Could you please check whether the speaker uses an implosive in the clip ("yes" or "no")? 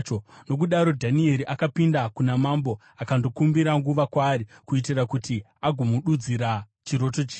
yes